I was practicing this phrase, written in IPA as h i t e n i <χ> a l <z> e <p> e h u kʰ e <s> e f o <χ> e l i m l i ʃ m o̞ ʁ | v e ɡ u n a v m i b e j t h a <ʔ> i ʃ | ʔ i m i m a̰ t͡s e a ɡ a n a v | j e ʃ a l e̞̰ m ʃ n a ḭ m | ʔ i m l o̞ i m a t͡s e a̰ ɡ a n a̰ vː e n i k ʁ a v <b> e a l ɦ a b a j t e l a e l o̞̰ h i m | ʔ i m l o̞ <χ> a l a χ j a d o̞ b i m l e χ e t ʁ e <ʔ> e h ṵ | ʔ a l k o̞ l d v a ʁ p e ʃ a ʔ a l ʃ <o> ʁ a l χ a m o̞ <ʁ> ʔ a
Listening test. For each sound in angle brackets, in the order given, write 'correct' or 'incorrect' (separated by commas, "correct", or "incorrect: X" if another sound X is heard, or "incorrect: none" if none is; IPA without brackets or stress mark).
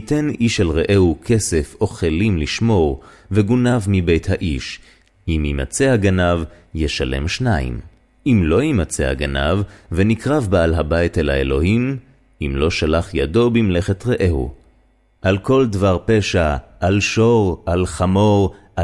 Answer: incorrect: ʃ, incorrect: ʁ, incorrect: ʔ, correct, correct, correct, correct, incorrect: ʃ, correct, correct, correct